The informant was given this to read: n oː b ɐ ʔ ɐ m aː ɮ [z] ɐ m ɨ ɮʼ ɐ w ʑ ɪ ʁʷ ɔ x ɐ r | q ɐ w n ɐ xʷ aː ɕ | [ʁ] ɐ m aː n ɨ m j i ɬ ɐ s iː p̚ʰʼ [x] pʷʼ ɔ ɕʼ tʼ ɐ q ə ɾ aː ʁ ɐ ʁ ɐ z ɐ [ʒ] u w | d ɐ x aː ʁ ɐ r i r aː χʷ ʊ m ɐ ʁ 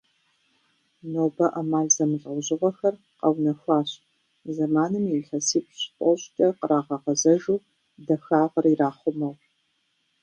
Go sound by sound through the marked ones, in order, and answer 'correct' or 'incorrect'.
correct, incorrect: z, incorrect: ɕ, correct

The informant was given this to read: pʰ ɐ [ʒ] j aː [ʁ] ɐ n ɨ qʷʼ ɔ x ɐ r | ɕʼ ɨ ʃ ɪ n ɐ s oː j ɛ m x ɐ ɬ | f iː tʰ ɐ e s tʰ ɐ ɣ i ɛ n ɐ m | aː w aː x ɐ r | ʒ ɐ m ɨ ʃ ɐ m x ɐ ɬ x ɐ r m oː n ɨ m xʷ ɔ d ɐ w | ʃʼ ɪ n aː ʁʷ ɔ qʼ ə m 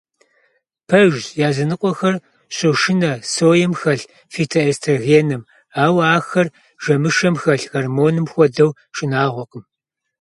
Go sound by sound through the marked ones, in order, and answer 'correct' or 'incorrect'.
correct, incorrect: z

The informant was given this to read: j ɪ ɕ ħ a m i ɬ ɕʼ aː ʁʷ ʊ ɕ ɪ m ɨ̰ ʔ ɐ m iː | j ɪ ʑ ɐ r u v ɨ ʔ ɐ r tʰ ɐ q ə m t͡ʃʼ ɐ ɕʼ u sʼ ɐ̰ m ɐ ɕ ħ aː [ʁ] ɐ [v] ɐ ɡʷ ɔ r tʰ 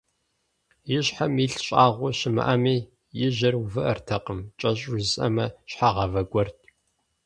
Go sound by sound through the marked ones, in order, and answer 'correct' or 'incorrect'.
correct, correct

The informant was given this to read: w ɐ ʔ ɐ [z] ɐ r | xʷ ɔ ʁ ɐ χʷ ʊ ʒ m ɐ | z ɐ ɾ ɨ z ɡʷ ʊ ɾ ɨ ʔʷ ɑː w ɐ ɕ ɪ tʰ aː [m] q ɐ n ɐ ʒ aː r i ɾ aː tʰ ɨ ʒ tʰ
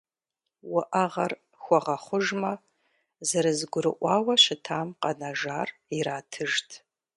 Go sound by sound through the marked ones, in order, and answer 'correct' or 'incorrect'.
incorrect: ʁ, correct

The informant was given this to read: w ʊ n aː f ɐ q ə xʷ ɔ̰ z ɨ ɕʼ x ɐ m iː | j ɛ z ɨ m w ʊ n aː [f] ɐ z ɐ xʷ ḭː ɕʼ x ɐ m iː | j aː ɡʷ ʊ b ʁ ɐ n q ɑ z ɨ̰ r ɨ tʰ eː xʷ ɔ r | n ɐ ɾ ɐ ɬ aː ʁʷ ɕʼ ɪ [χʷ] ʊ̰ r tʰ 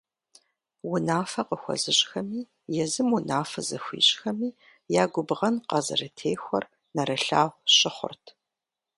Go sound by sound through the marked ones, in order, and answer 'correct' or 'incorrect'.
correct, correct

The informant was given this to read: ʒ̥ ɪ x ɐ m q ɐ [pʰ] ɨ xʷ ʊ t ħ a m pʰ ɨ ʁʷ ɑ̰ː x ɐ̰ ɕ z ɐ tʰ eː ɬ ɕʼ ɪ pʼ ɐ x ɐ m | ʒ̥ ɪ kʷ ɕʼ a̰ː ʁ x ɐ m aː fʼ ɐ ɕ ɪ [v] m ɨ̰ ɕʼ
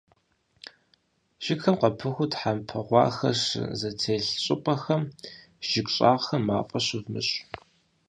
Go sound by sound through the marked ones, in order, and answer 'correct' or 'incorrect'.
correct, correct

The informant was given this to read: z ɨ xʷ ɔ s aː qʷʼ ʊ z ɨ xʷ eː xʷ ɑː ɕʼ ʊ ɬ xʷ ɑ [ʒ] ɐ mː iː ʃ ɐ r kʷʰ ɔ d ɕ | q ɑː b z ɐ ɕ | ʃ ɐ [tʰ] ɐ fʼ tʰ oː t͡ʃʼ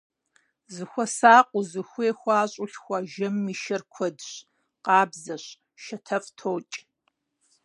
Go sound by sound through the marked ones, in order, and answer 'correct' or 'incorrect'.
correct, correct

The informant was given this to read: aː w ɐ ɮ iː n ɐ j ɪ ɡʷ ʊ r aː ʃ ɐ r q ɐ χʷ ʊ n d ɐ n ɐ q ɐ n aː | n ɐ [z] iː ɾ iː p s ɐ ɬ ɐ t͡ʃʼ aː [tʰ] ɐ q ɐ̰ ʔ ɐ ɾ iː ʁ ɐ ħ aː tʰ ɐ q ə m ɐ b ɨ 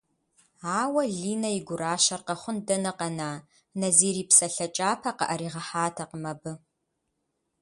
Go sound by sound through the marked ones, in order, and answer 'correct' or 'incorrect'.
correct, incorrect: pʰ

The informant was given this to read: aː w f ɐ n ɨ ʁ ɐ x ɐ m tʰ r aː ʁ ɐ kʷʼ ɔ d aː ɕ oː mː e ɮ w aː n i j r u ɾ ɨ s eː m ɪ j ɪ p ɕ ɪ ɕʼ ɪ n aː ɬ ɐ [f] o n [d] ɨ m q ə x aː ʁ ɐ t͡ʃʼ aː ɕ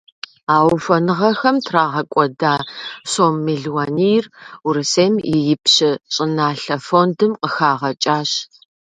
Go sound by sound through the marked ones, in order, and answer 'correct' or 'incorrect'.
correct, correct

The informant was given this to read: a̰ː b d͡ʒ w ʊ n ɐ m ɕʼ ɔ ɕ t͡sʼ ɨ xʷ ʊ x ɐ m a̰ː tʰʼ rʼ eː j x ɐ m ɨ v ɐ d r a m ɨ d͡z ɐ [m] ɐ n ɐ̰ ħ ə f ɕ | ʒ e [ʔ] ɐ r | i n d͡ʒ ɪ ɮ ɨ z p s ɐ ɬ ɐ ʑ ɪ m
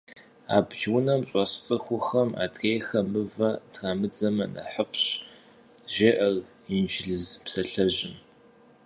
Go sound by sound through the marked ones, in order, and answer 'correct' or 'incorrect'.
correct, correct

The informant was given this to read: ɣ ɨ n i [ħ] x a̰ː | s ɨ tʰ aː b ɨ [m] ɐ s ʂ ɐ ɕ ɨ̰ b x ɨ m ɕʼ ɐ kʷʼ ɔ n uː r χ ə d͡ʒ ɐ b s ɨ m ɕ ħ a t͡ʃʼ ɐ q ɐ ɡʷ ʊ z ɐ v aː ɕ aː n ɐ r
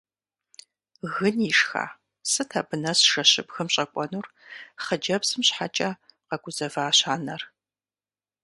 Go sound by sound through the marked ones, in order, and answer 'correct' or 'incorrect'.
incorrect: ʂ, incorrect: n

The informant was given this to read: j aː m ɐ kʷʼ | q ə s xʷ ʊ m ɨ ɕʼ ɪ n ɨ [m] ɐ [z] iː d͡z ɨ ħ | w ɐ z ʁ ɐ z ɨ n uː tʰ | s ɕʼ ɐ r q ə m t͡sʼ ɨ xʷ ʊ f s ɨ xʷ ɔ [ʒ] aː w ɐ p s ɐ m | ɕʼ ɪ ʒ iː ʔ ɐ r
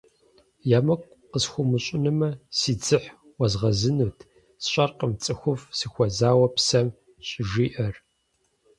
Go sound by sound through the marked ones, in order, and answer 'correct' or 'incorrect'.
correct, incorrect: s, incorrect: z

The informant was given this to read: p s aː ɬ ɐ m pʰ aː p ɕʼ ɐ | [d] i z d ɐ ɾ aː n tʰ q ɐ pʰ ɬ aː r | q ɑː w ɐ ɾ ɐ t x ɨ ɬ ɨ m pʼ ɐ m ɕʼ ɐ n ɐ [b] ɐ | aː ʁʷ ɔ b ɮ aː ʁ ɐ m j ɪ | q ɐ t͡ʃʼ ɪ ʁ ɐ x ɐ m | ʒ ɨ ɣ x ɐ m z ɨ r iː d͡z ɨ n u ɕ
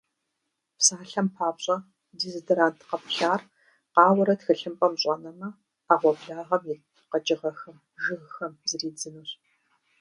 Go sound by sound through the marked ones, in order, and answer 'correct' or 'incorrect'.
correct, incorrect: m

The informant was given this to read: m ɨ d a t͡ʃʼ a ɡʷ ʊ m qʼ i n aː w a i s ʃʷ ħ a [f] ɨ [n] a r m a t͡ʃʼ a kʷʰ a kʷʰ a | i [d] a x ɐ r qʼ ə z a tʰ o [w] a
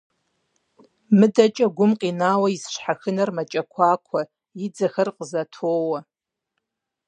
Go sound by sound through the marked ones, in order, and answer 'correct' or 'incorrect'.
incorrect: x, correct, incorrect: d͡z, correct

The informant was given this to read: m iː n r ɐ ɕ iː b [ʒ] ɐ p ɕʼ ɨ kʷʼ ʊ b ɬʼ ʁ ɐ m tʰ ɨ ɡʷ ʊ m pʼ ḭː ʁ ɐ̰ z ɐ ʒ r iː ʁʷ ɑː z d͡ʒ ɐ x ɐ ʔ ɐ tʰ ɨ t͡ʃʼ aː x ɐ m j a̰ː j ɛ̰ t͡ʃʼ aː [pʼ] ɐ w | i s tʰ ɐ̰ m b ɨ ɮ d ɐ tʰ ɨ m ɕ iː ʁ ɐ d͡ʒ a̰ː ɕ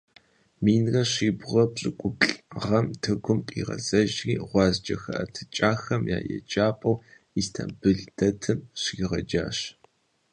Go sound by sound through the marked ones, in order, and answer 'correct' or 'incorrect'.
incorrect: ʁ, correct

